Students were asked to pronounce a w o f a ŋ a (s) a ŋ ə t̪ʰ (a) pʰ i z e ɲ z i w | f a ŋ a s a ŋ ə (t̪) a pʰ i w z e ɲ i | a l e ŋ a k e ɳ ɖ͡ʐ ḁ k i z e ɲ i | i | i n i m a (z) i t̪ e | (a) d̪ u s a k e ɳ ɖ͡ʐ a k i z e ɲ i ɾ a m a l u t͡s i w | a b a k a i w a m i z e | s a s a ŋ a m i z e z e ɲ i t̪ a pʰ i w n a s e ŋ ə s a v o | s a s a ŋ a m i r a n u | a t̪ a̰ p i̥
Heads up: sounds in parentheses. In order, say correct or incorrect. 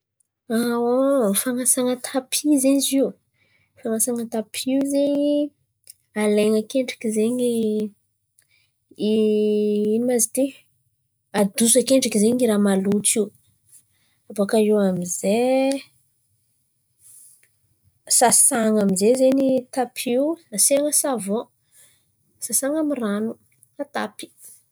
correct, correct, correct, correct, correct

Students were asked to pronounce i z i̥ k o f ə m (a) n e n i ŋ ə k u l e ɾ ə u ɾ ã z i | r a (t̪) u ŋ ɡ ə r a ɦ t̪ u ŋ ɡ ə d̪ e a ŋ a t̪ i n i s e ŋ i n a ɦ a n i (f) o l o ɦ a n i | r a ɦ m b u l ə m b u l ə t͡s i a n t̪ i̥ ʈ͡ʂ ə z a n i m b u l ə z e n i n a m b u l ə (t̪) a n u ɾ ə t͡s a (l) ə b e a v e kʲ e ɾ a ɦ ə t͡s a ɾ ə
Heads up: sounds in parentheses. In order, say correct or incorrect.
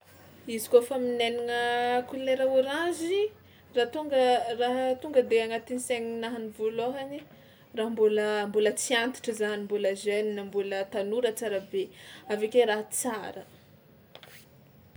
incorrect: i, correct, incorrect: v, correct, incorrect: ɾ

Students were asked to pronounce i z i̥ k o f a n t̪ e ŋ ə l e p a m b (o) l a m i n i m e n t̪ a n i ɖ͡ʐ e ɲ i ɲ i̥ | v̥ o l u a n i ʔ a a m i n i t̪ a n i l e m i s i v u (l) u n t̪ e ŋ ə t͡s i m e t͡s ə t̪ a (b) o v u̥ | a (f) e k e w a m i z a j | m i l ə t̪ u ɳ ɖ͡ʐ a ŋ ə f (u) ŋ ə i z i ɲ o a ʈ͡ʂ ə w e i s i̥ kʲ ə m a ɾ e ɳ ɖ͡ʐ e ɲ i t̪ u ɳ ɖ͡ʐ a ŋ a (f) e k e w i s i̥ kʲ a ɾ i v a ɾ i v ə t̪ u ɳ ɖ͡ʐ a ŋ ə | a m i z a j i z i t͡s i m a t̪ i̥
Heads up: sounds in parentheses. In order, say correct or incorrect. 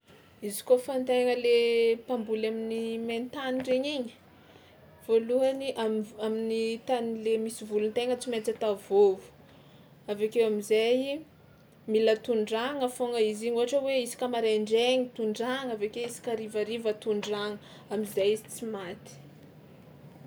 incorrect: u, correct, incorrect: v, incorrect: v, incorrect: o, incorrect: v

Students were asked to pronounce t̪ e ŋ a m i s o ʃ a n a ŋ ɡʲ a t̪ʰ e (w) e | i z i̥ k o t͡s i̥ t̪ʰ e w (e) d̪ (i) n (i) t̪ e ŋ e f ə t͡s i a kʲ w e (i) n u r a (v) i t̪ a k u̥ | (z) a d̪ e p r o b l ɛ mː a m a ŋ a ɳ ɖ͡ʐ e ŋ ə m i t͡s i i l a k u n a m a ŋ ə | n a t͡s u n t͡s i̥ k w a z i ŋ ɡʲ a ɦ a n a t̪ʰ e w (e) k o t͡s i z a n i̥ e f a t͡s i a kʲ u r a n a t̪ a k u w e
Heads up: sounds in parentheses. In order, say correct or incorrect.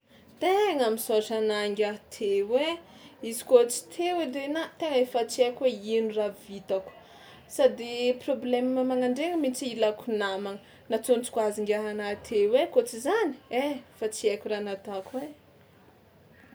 correct, correct, incorrect: e, incorrect: a, correct, correct, incorrect: s, correct

